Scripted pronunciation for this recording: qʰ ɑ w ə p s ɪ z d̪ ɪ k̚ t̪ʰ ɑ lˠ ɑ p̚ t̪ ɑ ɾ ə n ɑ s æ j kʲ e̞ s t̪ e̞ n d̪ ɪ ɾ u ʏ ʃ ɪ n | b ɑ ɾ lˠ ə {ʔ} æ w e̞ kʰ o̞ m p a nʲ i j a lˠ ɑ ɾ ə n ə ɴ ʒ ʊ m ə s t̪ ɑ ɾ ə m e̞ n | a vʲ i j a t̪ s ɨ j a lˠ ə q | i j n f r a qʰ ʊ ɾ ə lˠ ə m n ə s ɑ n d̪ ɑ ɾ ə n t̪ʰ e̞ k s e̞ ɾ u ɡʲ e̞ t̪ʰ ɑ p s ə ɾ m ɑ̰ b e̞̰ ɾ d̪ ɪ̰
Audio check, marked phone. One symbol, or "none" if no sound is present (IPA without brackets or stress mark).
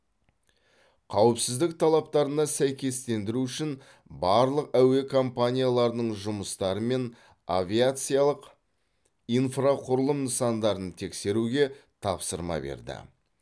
q